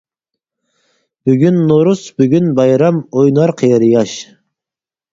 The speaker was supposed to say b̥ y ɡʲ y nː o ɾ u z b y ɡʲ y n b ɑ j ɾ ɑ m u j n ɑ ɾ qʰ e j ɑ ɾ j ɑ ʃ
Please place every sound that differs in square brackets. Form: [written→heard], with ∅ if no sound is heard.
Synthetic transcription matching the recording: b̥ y ɡʲ y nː o ɾ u [z→s] b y ɡʲ y n b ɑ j ɾ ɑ m [u→o] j n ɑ ɾ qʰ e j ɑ ɾ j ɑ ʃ